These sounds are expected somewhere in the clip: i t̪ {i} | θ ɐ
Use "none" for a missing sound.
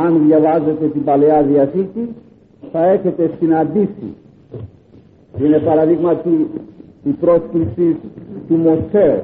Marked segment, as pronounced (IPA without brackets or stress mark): i